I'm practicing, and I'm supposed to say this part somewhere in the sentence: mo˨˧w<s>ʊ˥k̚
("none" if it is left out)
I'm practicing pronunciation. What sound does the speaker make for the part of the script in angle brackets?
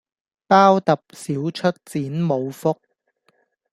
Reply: f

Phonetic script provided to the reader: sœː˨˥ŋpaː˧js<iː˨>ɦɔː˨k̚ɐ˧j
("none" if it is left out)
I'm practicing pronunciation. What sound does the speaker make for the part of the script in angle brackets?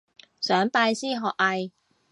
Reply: iː˥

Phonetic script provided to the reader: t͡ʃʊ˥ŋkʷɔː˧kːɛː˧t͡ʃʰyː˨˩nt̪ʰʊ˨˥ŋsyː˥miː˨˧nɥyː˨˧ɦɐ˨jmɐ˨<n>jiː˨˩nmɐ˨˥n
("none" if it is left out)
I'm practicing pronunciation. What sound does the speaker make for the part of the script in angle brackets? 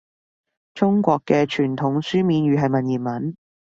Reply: n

